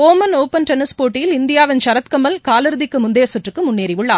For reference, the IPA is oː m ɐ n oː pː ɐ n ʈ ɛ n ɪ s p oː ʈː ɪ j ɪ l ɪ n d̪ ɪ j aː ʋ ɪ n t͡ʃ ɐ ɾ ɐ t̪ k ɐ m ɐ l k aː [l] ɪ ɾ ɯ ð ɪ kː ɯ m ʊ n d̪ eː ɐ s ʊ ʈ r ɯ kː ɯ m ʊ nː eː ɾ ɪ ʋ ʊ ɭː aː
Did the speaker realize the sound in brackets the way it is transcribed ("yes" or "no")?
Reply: yes